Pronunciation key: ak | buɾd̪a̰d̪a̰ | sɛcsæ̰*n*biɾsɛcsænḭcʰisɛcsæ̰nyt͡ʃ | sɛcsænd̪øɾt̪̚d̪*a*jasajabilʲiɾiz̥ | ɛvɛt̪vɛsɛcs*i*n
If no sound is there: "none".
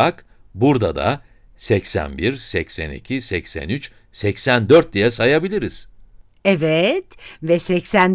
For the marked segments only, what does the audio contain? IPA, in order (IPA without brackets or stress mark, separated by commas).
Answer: n, i, æ